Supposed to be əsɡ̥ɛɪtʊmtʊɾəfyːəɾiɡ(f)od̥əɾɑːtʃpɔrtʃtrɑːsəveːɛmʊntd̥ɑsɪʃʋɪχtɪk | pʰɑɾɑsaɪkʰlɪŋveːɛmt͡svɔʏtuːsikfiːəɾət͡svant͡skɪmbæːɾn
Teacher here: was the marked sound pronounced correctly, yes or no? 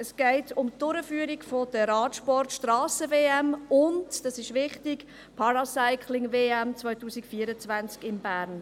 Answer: yes